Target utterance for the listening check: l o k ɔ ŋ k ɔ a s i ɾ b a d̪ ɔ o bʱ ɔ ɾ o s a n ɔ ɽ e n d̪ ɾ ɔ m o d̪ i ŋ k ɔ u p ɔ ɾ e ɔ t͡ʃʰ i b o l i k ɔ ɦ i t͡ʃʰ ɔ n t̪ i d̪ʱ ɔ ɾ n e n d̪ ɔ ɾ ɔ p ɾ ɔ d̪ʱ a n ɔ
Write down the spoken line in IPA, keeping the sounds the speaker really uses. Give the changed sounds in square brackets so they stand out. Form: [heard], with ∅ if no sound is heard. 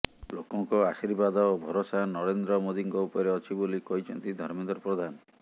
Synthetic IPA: l o k ɔ ŋ k ɔ a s i ɾ b a d̪ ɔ o bʱ ɔ ɾ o s a n ɔ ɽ e n d̪ ɾ ɔ m o d̪ i ŋ k ɔ u p ɔ ɾ e ɔ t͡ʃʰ i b o l i k ɔ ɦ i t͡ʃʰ ɔ n t̪ i d̪ʱ ɔ ɾ [m] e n d̪ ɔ ɾ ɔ p ɾ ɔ d̪ʱ a n ɔ